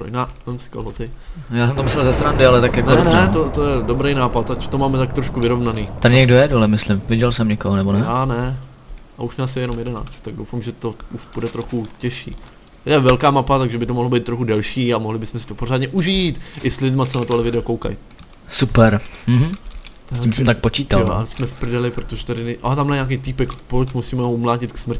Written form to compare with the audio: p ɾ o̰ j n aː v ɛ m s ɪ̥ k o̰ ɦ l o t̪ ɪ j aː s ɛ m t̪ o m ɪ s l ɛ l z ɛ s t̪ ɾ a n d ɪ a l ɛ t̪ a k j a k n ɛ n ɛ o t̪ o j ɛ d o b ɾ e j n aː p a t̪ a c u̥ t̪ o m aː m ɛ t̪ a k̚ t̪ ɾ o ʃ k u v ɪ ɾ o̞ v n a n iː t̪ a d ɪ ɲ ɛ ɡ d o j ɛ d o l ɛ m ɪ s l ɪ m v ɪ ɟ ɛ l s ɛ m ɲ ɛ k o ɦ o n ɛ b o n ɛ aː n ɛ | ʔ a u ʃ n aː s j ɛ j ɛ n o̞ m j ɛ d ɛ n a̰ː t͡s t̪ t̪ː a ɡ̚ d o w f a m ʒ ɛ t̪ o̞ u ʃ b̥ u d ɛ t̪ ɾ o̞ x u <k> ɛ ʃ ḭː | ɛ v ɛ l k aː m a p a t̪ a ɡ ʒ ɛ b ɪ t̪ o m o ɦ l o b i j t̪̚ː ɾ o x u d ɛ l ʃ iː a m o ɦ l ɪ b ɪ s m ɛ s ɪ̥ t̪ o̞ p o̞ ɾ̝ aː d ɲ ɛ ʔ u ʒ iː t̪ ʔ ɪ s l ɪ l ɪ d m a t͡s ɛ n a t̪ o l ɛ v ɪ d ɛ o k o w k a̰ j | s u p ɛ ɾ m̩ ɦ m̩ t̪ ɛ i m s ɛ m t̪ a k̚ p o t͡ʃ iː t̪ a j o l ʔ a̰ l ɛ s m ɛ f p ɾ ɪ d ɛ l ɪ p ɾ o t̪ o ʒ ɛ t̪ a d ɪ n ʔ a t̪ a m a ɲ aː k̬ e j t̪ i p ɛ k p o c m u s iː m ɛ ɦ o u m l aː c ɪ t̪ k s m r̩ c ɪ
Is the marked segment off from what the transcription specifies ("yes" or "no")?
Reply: yes